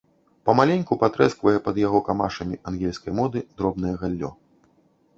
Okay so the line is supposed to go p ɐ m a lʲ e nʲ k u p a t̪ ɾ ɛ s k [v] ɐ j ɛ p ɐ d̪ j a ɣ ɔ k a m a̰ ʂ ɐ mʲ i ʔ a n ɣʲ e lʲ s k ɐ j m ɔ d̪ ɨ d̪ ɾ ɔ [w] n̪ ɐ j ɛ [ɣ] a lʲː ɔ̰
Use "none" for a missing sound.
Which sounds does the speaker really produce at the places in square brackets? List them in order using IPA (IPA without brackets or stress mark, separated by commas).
v, b, ɣ